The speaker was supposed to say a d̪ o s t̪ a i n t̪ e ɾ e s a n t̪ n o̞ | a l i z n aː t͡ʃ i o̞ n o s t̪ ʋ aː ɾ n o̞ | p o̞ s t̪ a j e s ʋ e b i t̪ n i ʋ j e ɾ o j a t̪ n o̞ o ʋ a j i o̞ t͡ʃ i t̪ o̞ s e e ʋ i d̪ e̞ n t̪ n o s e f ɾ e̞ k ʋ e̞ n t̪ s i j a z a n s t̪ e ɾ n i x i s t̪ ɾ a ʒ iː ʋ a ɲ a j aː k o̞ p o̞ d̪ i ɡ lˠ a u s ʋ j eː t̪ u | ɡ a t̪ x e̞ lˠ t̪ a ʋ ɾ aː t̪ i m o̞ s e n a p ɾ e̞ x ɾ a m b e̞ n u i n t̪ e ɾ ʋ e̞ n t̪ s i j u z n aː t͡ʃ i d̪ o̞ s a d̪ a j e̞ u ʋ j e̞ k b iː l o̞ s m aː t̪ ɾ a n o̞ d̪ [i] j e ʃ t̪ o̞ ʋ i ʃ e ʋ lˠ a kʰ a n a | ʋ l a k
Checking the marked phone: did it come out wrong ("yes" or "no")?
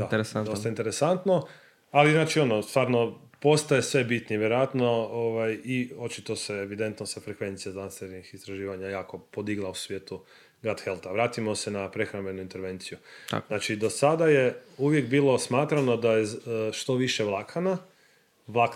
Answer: yes